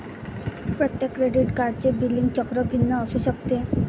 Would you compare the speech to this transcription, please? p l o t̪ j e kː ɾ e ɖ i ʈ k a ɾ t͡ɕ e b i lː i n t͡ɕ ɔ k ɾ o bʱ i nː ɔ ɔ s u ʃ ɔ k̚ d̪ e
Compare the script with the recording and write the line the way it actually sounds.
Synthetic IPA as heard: p ɾ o t̪ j e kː ɾ e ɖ i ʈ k a ɾ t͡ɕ e b i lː i ŋ t͡ɕ ɔ k ɾ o bʱ i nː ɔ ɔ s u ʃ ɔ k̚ t̪ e